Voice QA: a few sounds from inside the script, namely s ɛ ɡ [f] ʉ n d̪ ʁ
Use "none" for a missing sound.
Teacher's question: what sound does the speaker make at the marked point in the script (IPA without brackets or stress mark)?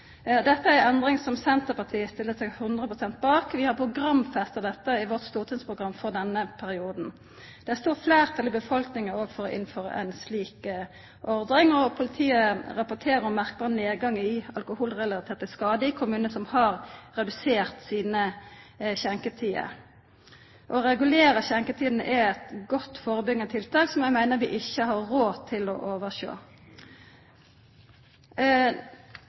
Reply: h